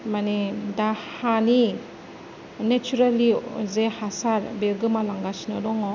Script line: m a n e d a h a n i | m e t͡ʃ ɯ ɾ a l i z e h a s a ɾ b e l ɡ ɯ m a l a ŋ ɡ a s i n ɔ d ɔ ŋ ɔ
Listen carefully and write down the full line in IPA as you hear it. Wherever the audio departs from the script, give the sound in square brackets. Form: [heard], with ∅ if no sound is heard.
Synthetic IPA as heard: m a n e d a h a n i | [n] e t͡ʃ [u] ɾ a l i z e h a s a ɾ b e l ɡ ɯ m a l a ŋ ɡ a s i n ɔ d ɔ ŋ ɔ